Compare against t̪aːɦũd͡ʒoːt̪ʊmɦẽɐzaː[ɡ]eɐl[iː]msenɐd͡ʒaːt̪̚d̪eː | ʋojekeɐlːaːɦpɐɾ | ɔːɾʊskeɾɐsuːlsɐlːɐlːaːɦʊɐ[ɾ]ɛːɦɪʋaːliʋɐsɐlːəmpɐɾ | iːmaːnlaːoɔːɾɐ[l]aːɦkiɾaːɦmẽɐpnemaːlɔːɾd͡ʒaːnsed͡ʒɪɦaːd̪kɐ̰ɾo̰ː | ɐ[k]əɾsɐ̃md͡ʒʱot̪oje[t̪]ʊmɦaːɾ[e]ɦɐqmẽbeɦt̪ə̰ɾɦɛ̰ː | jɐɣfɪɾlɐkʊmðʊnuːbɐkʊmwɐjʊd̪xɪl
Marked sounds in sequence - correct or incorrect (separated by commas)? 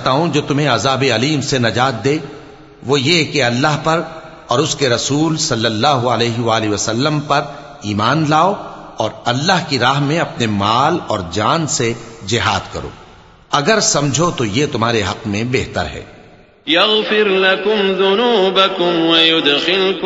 incorrect, correct, incorrect, incorrect, incorrect, correct, correct